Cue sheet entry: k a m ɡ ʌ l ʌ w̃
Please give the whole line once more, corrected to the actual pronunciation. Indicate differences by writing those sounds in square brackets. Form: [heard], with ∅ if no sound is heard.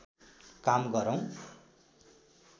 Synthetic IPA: k a m ɡ ʌ [ɾ] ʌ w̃